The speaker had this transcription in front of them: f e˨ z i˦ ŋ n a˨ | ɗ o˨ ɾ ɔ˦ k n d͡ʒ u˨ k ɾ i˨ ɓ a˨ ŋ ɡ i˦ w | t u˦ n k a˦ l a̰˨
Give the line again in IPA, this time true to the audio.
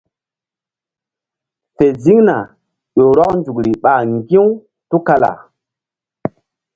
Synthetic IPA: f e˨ z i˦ ŋ n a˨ | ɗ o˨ ɾ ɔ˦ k n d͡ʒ u˨ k ɾ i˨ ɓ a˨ ŋ ɡ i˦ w | t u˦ k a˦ l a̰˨